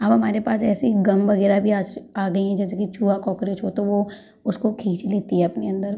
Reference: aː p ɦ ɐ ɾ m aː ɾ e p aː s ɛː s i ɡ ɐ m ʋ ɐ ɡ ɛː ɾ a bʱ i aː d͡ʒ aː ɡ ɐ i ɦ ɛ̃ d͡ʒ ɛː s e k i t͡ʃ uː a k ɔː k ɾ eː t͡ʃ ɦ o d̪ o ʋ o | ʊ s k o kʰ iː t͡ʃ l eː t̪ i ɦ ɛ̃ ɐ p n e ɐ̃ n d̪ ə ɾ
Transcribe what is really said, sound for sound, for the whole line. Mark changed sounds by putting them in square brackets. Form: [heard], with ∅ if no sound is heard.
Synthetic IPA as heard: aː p ɦ ɐ [∅] m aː ɾ e p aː s ɛː s i ɡ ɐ m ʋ ɐ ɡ ɛː ɾ a bʱ i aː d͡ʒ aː ɡ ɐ i ɦ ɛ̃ d͡ʒ ɛː s e k i t͡ʃ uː a k ɔː k ɾ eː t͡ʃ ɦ o [t̪] o ʋ o | ʊ s k o kʰ iː t͡ʃ l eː t̪ i ɦ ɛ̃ ɐ p n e ɐ̃ n d̪ ə ɾ